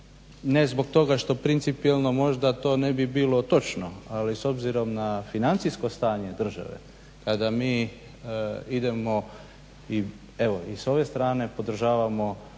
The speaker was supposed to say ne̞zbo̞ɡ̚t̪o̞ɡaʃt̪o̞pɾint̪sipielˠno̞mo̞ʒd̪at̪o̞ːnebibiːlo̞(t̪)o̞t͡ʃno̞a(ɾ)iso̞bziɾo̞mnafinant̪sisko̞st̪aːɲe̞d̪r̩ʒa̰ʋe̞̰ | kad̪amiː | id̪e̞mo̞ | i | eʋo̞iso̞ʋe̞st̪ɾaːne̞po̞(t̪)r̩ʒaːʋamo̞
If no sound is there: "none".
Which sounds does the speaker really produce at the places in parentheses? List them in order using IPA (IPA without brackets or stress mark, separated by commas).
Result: t̪, l, d̪